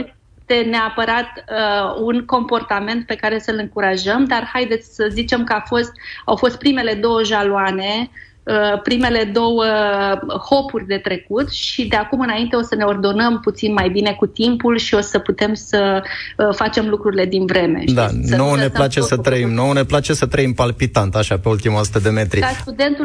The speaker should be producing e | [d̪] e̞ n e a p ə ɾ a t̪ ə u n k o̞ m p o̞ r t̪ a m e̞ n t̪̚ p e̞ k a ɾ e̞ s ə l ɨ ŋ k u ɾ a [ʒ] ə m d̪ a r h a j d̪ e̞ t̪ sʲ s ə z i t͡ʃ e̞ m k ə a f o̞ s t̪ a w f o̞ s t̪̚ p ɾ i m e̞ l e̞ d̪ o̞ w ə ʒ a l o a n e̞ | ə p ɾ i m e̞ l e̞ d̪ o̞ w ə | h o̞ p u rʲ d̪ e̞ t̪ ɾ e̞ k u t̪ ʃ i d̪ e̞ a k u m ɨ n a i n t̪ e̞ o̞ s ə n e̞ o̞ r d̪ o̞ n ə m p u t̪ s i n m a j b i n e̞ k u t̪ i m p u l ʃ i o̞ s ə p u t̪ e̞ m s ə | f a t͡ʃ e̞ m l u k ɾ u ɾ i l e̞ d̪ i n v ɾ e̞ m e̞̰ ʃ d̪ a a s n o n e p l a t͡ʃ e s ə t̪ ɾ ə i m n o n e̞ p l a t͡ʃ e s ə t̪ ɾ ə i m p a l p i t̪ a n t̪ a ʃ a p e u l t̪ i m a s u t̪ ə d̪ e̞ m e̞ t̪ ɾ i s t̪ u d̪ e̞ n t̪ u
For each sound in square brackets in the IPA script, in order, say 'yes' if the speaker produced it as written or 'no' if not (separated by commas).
no, yes